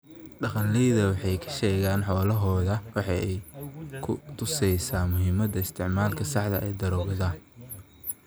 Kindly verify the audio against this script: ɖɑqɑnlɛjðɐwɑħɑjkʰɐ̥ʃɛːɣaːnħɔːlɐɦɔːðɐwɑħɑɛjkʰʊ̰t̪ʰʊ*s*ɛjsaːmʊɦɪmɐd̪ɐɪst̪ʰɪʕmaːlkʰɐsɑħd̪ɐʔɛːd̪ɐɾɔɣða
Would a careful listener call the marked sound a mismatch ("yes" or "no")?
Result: no